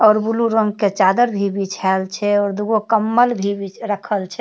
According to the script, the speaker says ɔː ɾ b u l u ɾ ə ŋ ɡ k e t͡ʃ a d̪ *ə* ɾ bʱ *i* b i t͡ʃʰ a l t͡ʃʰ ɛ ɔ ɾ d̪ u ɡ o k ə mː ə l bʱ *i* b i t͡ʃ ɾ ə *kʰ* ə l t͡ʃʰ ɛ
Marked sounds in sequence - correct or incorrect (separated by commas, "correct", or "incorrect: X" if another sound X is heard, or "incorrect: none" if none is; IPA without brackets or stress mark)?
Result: correct, correct, correct, correct